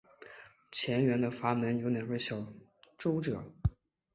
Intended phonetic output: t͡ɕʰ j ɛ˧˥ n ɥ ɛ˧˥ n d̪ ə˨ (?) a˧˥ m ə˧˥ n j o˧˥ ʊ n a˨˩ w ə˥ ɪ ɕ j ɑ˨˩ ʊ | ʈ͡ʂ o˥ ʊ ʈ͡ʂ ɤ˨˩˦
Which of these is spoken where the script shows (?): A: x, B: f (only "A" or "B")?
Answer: B